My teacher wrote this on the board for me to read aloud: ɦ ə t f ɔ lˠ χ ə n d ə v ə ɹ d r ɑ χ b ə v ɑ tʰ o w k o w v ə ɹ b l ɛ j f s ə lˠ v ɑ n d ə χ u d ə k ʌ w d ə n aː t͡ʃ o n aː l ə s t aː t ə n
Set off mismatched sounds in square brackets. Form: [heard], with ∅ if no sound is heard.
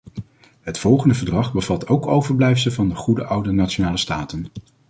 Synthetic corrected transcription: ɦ ə t f ɔ lˠ χ ə n d ə v ə ɹ d r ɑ χ b ə v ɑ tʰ o w k o w v ə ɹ b l ɛ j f s ə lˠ v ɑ n d ə χ u d ə [ʔ] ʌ w d ə n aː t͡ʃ o n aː l ə s t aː t ə n